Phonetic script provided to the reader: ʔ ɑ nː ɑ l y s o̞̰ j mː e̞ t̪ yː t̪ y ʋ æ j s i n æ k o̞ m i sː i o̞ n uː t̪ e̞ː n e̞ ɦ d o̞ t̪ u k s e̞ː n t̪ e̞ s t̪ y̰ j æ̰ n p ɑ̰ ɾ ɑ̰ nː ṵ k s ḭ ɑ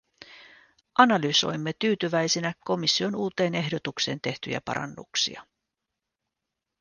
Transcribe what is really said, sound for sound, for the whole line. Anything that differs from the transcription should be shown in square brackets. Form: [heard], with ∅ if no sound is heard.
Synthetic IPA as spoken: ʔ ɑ [n] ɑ l y s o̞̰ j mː e̞ t̪ yː t̪ y ʋ æ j s i n æ k o̞ m i sː i o̞ n uː t̪ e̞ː n e̞ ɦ d o̞ t̪ u k s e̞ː n t̪ e̞ [h] t̪ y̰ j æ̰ [∅] p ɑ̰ ɾ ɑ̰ nː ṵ k s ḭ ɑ